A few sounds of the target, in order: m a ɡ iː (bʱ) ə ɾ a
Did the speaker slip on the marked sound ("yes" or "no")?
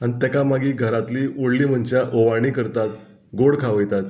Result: yes